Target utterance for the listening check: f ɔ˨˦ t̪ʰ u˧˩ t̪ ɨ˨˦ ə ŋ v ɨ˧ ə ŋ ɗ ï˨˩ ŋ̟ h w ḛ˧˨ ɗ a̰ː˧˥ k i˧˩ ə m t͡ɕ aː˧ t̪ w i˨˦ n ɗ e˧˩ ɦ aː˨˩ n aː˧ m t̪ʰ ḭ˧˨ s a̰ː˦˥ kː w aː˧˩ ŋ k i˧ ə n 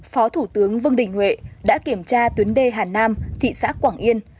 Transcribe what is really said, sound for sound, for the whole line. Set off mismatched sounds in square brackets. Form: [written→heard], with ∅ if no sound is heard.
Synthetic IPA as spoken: f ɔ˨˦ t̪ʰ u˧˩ t̪ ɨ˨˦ ə ŋ v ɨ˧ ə ŋ ɗ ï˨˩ ŋ̟ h w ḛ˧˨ ɗ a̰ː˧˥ k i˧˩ ə m t͡ɕ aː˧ t̪ w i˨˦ n ɗ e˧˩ ɦ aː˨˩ n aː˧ m t̪ʰ ḭ˧˨ s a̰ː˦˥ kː w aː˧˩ ŋ [k→ʔ] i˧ ə n